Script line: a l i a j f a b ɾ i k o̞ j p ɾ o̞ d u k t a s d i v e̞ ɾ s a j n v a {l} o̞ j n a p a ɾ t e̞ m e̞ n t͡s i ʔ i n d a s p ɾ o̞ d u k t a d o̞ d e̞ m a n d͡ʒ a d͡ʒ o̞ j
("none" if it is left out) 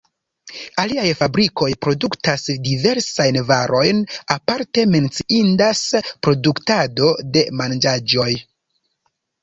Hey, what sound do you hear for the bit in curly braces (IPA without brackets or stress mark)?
ɾ